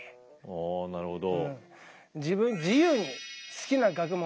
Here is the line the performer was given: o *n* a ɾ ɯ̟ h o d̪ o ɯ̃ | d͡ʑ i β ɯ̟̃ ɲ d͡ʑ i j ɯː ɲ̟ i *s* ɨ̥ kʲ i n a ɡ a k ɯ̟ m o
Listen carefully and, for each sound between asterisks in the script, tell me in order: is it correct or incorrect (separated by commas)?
correct, correct